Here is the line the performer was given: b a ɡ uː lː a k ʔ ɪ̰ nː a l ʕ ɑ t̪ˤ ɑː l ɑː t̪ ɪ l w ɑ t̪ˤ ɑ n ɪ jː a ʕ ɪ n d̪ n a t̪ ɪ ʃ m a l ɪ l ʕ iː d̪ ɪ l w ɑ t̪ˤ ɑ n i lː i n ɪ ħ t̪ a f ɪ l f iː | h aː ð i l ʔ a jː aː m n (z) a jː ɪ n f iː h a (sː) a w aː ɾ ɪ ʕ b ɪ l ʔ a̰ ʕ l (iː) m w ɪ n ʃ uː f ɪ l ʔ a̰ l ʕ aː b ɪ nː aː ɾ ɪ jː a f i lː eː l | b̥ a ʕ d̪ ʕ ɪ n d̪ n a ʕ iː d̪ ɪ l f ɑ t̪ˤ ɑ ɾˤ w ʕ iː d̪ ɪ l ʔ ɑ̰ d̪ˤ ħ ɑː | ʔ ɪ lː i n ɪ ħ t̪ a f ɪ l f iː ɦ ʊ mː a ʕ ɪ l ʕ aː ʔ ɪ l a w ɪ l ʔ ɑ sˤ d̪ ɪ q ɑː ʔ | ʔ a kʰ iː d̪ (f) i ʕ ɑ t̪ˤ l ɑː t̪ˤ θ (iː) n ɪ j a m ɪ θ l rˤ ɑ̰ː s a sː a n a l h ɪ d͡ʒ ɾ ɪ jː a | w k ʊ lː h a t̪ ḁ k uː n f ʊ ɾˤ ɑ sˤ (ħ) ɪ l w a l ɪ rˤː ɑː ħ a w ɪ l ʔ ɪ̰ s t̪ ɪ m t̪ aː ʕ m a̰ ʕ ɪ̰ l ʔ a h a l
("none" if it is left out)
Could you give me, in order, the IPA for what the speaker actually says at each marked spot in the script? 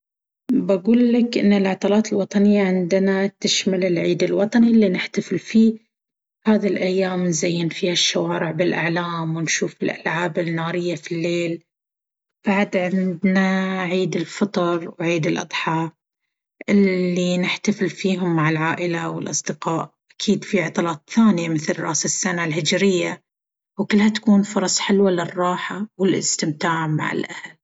z, ʃː, aː, f, aː, ħ

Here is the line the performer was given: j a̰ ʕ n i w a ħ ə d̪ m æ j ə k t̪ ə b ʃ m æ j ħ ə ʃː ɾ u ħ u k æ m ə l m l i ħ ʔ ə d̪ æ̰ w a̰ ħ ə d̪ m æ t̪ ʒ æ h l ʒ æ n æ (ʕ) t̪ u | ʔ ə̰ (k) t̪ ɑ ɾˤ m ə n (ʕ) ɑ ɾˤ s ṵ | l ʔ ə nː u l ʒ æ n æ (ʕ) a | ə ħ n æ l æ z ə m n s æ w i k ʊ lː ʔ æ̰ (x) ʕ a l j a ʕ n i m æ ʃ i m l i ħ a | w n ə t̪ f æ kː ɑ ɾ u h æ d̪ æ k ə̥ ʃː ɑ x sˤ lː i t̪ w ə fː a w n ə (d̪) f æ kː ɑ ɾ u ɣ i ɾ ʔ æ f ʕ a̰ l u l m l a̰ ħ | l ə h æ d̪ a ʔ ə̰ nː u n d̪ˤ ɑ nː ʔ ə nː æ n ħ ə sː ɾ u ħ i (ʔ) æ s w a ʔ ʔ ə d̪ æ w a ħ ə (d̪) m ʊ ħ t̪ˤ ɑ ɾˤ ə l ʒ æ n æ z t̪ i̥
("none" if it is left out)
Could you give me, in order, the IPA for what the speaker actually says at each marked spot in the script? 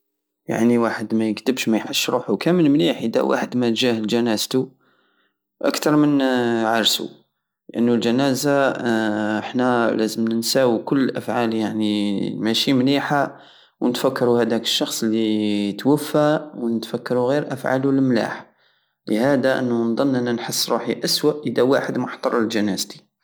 z, k, ʕ, z, f, t̪, ʔ, d̪

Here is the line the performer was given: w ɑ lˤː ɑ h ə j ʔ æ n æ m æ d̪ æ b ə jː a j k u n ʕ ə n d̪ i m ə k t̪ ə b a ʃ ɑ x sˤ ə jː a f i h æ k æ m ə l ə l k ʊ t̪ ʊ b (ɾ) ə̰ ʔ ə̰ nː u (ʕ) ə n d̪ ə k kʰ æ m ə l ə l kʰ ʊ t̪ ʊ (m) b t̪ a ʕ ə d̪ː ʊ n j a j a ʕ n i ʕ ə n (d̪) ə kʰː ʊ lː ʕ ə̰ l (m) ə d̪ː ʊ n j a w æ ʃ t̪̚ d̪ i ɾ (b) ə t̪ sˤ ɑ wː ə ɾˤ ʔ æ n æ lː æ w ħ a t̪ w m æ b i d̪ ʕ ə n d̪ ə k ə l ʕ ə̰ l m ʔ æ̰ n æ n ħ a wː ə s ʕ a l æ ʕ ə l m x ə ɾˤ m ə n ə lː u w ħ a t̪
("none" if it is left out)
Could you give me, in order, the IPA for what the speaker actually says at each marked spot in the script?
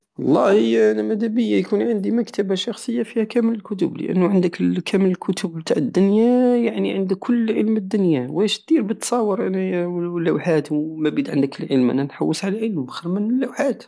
l, ʕ, b, d̪, m, b

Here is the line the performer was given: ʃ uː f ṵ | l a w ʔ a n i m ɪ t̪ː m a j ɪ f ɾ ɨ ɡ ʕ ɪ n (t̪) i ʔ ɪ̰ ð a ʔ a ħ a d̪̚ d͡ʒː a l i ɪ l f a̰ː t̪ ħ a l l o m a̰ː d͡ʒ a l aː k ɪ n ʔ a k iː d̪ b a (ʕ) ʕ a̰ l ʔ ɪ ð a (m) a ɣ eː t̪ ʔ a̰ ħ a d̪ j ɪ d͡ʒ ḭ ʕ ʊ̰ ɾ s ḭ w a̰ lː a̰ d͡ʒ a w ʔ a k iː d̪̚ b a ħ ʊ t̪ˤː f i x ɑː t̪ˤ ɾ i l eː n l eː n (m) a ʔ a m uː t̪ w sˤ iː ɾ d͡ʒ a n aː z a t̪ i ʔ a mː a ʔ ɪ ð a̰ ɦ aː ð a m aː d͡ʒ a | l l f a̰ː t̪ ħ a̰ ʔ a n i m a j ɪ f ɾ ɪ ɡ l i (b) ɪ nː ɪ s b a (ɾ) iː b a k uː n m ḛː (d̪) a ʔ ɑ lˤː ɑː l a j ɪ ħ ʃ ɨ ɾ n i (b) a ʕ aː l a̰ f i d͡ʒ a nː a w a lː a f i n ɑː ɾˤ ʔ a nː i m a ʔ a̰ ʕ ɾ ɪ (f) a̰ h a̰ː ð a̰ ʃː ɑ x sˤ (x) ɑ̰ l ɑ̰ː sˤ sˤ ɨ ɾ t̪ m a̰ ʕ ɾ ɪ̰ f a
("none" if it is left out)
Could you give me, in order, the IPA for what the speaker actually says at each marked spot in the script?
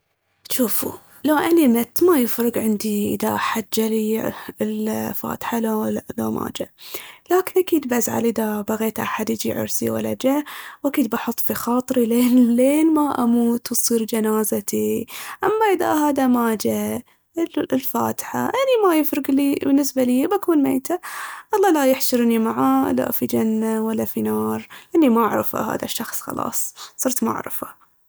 d̪, z, b, m, b, l, t̪, m, f, x

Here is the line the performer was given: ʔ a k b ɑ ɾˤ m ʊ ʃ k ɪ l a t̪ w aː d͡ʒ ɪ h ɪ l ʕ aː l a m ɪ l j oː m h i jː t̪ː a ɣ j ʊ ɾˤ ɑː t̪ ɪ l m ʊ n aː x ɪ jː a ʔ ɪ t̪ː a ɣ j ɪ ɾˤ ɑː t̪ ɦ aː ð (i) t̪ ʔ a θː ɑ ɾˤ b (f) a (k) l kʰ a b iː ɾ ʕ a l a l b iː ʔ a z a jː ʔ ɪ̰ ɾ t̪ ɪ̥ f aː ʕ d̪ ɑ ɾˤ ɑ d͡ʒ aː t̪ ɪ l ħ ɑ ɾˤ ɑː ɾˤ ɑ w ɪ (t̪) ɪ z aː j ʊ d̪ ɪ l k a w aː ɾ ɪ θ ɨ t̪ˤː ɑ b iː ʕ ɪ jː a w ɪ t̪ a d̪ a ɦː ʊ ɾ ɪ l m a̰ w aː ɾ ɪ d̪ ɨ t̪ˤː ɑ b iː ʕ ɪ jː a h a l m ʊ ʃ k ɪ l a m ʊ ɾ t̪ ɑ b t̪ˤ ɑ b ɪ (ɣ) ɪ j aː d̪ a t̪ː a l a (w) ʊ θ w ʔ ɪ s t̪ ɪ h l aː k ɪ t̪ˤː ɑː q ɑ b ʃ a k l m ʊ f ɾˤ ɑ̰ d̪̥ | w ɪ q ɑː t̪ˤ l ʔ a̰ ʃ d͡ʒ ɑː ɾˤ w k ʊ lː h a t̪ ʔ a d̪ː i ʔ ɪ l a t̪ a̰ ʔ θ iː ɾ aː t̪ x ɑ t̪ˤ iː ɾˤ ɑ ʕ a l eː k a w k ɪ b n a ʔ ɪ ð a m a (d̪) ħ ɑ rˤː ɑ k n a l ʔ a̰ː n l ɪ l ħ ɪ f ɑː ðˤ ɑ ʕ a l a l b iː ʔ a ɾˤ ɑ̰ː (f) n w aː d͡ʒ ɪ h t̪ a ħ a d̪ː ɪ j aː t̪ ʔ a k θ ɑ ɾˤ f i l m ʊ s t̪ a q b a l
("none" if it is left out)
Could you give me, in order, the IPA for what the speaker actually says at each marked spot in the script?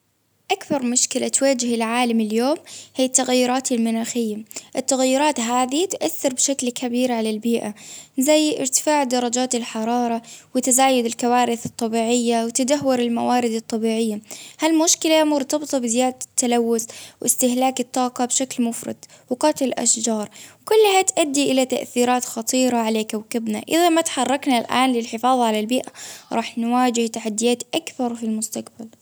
i, ʃ, k, t̪, z, wː, t̪, ħ

